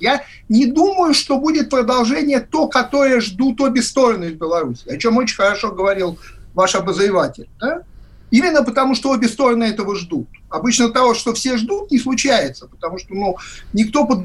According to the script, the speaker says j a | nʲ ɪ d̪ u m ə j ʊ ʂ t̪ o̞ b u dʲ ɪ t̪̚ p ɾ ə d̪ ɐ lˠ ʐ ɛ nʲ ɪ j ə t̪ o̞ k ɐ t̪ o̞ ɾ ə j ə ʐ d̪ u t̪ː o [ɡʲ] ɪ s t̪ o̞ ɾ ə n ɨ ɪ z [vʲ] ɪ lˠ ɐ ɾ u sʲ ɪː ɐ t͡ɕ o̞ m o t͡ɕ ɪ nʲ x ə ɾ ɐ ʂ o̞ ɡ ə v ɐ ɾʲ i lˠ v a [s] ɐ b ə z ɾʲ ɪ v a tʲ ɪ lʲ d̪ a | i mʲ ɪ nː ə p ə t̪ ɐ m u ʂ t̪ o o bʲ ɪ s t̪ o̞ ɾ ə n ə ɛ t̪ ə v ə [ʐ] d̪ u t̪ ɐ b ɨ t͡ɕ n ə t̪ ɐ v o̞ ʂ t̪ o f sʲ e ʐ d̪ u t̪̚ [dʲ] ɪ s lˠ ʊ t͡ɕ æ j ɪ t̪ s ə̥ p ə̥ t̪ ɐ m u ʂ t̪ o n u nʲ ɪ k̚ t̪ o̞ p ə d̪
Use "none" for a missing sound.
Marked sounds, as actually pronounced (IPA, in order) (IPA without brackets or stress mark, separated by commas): bʲ, bʲ, ʂ, ʐ, nʲ